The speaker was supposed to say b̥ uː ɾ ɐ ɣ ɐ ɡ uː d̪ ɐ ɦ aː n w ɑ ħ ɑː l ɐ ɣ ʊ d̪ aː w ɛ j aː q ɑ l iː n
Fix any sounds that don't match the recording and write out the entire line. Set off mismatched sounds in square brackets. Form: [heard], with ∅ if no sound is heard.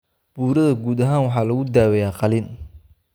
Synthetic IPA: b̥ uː ɾ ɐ [ð] ɐ ɡ uː d̪ ɐ ɦ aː n w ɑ ħ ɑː l ɐ ɣ ʊ d̪ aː w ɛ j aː q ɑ l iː n